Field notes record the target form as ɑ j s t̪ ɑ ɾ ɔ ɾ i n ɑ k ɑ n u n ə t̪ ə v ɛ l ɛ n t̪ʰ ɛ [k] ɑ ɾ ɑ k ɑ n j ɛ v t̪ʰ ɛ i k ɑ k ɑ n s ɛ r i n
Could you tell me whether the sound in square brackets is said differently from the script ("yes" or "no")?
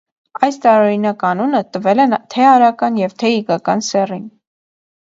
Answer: yes